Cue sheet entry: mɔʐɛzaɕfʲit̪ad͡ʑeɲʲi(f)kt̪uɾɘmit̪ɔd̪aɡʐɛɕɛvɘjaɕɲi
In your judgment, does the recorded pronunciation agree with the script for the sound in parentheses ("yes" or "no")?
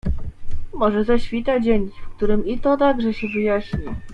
yes